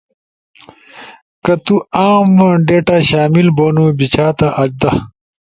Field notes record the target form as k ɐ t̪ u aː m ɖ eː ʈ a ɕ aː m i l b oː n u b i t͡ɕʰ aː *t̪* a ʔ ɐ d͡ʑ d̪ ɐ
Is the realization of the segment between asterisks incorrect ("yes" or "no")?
no